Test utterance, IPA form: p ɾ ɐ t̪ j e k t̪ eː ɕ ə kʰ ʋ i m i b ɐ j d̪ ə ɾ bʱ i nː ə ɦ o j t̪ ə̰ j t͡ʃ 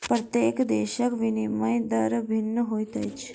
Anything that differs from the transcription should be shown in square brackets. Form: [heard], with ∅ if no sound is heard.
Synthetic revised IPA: p ɾ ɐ t̪ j e k [d̪] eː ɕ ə [k] ʋ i [n] i [m] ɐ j d̪ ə ɾ bʱ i nː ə ɦ o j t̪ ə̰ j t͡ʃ

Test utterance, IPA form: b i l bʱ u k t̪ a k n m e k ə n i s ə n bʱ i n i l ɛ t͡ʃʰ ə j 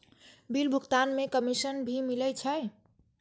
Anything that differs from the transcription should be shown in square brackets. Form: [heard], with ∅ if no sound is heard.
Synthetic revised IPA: b i l bʱ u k t̪ a [∅] n m e k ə [m] i s ə n bʱ i [m] i l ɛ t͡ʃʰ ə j

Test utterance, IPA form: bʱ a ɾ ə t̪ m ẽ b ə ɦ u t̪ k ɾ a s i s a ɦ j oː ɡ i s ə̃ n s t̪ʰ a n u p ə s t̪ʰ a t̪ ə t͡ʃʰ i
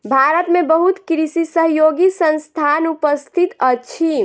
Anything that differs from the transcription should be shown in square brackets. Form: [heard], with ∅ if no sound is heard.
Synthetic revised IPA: bʱ a ɾ ə t̪ m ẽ b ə ɦ u t̪ k ɾ [i] s i s [ə] ɦ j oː ɡ i s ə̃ n s t̪ʰ a n u p ə s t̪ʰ [i] t̪ ə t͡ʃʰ i

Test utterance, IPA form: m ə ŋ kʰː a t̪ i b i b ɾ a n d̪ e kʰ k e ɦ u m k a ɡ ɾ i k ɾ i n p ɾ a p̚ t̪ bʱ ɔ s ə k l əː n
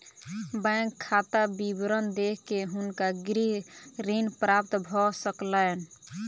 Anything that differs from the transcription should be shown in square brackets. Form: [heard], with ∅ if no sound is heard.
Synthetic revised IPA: [b] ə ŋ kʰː a t̪ [a] b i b ɾ [ə] n d̪ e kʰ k e ɦ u [n] k a ɡ ɾ i [∅] ɾ i n p ɾ a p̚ t̪ bʱ ɔ s ə k l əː n

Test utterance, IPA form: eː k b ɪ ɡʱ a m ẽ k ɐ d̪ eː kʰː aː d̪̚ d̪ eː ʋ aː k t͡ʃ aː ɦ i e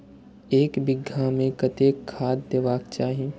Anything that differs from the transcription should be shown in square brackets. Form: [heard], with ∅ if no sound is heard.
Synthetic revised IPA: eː k b ɪ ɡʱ a m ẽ k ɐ [t̪] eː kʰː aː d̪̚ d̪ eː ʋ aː k t͡ʃ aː ɦ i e

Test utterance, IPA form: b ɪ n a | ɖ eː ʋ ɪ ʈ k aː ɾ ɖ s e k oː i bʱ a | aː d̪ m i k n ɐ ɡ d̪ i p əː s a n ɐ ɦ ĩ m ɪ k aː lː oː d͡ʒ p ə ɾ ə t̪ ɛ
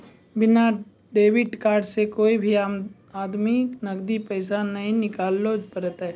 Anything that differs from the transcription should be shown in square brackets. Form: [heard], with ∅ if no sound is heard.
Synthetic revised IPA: b ɪ n a | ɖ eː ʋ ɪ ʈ k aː ɾ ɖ s e k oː i bʱ [i] | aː d̪ m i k n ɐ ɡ d̪ i p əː s a n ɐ ɦ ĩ [n] ɪ k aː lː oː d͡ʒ p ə ɾ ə t̪ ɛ

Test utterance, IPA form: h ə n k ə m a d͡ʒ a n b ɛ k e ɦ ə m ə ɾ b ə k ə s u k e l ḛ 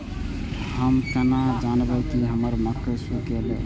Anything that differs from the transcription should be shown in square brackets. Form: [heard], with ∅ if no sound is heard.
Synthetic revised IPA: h ə [m] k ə [n] a d͡ʒ a n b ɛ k [i] ɦ ə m ə ɾ [m] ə k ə s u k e l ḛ

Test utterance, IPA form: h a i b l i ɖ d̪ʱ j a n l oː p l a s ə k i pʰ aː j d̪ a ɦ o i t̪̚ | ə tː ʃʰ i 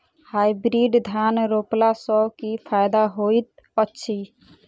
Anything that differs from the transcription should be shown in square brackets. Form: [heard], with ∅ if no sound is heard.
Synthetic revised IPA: h a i b [ɾ] i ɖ d̪ʱ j a n [ɾ] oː p l a s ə k i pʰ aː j d̪ a ɦ o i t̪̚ | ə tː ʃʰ i

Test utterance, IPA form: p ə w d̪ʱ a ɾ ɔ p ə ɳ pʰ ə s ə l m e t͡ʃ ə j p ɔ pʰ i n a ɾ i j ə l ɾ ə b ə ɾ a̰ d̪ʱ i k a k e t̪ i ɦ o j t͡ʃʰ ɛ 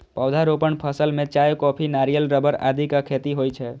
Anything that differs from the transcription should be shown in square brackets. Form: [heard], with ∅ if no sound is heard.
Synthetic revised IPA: p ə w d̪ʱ a ɾ [o] p ə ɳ pʰ ə s ə l m e t͡ʃ [a] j [k] ɔ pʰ i n a ɾ i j ə l ɾ ə b ə ɾ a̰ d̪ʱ i k a [kʰ] e t̪ i ɦ o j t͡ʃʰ ɛ

